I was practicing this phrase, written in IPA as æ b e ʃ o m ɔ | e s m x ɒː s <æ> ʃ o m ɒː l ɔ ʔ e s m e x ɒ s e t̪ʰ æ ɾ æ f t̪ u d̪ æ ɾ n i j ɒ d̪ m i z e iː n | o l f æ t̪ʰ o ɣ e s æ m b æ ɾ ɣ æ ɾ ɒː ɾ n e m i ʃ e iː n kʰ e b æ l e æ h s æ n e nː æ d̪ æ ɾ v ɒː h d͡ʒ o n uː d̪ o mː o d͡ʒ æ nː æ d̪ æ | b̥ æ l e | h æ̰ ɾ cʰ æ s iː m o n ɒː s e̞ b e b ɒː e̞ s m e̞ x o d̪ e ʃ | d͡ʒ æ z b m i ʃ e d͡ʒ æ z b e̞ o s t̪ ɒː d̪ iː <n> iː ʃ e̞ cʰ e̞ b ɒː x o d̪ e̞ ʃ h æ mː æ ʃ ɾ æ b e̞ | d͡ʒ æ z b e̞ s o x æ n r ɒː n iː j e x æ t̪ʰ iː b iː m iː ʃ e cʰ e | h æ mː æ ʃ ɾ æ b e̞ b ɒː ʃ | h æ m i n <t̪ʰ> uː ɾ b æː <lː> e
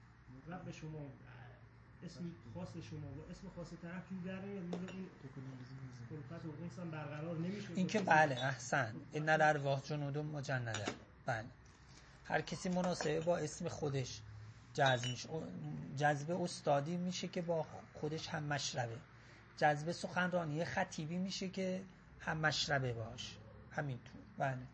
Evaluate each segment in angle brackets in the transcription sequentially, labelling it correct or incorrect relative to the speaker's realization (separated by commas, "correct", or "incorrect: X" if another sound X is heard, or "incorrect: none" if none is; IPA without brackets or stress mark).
incorrect: e, incorrect: m, correct, incorrect: l